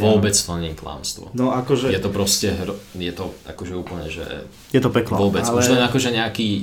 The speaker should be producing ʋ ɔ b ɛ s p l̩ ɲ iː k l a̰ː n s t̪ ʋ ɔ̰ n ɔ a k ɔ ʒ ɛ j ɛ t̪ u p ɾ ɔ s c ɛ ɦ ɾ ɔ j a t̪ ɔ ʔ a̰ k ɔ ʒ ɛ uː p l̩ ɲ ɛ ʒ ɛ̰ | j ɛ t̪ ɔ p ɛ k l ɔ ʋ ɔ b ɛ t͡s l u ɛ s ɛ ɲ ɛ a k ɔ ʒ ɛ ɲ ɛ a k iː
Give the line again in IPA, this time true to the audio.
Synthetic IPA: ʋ ɔ b ɛ t͡s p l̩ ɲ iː k l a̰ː m s t̪ ʋ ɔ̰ n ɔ a k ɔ ʒ ɛ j ɛ t̪ ɔ p ɾ ɔ s c ɛ ɦ ɾ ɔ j ɛ t̪ ɔ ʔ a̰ k ɔ ʒ ɛ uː p l̩ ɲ ɛ ʒ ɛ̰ | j ɛ t̪ ɔ p ɛ k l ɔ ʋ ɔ b ɛ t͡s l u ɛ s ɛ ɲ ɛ a k ɔ ʒ ɛ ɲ ɛ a k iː